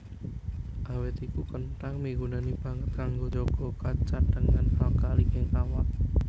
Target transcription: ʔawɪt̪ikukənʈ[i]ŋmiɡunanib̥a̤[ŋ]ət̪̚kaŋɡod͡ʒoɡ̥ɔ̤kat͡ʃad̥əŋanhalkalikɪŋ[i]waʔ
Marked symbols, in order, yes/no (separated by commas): no, yes, no